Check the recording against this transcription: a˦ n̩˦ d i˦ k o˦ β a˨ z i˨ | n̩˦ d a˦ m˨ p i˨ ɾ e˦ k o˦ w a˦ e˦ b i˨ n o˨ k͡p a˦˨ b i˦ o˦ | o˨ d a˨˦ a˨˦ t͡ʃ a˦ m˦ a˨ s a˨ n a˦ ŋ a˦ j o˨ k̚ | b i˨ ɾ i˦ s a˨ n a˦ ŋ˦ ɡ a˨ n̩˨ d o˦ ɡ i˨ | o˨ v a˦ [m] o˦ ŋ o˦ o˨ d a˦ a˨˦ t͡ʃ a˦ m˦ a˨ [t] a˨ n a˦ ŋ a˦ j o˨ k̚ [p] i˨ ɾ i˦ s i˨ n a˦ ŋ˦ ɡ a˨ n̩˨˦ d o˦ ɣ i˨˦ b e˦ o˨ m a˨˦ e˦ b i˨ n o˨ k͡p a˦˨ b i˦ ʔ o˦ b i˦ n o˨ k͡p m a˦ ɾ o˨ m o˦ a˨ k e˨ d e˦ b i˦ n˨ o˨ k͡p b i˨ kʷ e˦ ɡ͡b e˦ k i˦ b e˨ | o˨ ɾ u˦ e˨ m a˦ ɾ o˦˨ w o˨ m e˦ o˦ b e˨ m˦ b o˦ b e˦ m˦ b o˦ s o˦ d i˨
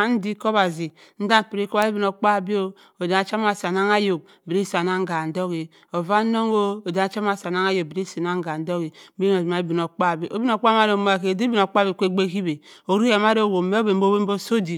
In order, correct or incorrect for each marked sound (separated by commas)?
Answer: incorrect, incorrect, incorrect